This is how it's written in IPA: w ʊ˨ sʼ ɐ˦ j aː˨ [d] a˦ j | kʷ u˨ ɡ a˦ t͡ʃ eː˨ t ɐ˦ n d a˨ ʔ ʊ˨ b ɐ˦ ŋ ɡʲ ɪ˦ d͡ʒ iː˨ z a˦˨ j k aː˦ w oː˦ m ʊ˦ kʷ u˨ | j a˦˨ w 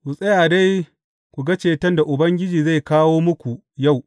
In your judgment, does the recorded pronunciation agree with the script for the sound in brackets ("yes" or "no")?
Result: yes